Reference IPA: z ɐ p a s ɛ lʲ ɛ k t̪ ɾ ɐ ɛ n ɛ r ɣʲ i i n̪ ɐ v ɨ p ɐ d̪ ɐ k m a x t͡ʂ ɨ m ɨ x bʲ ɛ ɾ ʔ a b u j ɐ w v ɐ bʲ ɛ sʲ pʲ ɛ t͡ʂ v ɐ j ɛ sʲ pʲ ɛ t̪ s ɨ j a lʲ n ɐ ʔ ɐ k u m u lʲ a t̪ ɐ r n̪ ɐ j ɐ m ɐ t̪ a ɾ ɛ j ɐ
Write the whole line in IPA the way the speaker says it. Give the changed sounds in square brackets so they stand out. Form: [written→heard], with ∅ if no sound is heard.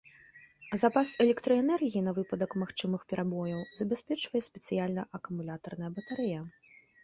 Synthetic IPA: z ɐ p a s ɛ lʲ ɛ k t̪ ɾ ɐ ɛ n ɛ r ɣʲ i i n̪ ɐ v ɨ p ɐ d̪ ɐ k m a x t͡ʂ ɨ m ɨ x [bʲ→pʲ] ɛ ɾ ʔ a b [u→ɔ] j ɐ w [v→z] ɐ bʲ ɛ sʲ pʲ ɛ t͡ʂ v ɐ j ɛ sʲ pʲ ɛ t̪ s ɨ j a lʲ n ɐ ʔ ɐ k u m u lʲ a t̪ ɐ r n̪ ɐ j ɐ [m→b] ɐ t̪ a ɾ ɛ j ɐ